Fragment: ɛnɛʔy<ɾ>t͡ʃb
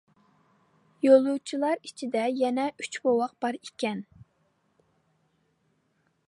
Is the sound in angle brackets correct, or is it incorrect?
incorrect